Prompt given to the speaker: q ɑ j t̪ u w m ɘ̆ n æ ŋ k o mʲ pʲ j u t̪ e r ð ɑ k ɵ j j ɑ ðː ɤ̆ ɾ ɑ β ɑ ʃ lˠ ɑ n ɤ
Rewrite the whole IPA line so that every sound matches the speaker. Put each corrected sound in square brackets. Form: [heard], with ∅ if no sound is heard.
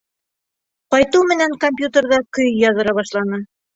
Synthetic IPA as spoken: q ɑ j t̪ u w m ɘ̆ n æ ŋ k o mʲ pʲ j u t̪ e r ð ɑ k ɵ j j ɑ [ð] ɤ̆ ɾ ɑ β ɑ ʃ lˠ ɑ n ɤ

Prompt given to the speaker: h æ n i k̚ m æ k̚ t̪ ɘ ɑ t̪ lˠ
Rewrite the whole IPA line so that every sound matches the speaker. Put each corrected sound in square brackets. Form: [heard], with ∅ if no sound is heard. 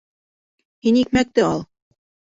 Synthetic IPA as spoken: h [i] n i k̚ m æ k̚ t̪ ɘ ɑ [∅] lˠ

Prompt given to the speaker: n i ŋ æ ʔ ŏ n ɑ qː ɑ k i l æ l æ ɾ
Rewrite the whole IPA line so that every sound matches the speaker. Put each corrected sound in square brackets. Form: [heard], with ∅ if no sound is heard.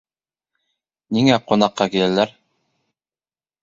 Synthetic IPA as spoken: n i ŋ æ [q] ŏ n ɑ qː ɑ k i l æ l æ ɾ

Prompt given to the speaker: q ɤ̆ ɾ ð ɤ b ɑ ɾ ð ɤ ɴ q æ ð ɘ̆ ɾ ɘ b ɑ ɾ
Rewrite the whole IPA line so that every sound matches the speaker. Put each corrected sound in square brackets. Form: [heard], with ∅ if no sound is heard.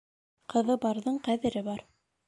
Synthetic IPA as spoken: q ɤ̆ [∅] ð ɤ b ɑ ɾ ð ɤ ɴ q æ ð ɘ̆ ɾ ɘ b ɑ ɾ

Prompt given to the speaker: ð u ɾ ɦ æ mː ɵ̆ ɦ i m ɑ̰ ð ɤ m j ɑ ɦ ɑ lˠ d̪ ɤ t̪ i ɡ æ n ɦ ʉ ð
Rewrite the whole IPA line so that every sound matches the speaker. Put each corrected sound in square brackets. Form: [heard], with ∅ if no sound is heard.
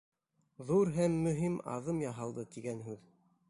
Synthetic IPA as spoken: ð u ɾ ɦ æ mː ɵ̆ ɦ i m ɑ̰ ð ɤ m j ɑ ɦ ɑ lˠ d̪ ɤ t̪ i ɡ æ n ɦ ʉ ð

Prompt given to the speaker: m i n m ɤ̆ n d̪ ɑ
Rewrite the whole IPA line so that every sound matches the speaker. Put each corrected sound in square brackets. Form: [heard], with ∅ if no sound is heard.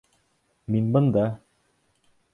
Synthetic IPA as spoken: m i n [b] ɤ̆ n d̪ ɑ

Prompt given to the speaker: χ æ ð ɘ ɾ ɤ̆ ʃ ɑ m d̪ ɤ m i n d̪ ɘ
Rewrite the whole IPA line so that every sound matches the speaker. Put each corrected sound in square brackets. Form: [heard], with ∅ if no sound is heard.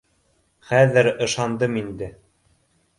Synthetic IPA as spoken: χ æ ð ɘ ɾ ɤ̆ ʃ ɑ [n] d̪ ɤ m i n d̪ ɘ

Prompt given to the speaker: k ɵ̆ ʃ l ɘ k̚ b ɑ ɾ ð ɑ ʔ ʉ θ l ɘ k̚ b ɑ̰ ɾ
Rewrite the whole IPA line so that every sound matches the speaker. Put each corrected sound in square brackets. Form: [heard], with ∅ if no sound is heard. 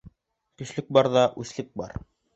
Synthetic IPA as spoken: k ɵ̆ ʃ l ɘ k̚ b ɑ ɾ ð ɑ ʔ ʉ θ l ɘ k̚ b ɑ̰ ɾ

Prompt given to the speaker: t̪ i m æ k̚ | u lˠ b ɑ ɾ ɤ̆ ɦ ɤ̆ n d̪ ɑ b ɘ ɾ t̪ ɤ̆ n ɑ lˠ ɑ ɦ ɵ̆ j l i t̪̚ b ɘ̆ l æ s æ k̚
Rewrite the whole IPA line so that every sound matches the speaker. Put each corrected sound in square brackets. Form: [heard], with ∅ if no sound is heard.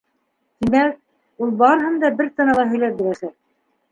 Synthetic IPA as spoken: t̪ i m æ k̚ | u lˠ b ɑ ɾ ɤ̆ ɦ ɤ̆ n d̪ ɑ b ɘ ɾ t̪ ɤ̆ n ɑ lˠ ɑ ɦ ɵ̆ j l [æ] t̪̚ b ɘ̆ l æ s æ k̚

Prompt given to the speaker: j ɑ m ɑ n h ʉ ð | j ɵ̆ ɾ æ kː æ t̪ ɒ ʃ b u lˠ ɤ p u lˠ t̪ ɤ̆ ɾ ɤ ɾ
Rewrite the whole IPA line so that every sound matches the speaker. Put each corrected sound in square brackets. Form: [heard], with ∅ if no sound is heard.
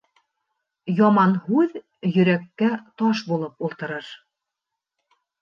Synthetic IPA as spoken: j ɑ m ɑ n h ʉ ð | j ɵ̆ ɾ æ kː æ t̪ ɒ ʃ b u lˠ ɤ p u lˠ t̪ ɤ̆ ɾ ɤ ɾ

